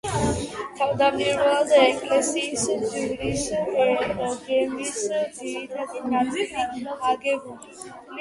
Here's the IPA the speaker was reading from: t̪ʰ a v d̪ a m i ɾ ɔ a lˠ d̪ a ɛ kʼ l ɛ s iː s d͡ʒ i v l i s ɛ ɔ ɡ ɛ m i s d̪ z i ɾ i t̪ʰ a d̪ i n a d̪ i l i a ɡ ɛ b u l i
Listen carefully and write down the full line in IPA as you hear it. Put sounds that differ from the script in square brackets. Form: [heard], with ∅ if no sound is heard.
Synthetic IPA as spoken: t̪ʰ a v d̪ a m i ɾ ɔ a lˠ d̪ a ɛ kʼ l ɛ s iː s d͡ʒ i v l i s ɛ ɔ ɡ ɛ m i s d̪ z i ɾ i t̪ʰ a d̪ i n a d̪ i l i a ɡ ɛ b u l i